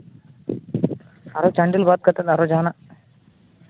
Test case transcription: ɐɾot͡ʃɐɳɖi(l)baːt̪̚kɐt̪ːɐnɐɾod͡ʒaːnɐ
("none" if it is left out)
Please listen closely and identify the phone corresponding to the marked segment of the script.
l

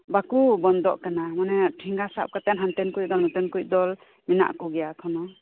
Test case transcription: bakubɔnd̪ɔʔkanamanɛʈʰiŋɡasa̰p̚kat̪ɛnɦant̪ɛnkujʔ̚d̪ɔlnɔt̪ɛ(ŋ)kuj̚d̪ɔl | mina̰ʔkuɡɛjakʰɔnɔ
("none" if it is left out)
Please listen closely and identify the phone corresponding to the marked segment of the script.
n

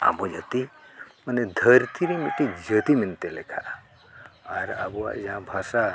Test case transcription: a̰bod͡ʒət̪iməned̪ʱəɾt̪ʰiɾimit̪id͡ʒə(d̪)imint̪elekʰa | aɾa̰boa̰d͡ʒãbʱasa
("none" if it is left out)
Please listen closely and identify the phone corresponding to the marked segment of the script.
t̪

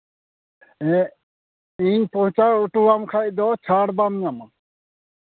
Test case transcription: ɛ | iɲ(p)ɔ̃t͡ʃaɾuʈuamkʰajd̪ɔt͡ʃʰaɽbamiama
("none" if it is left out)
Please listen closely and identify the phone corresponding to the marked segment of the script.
p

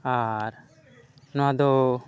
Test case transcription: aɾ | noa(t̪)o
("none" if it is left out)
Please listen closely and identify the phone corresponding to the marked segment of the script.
d̪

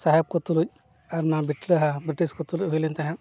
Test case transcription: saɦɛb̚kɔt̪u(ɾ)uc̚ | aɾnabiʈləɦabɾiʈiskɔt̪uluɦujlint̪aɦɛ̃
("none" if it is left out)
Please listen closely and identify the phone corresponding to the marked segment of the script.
l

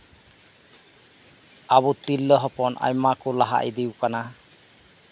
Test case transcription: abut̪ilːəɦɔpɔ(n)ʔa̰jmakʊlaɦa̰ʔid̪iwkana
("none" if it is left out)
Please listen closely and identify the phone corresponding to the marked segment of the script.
n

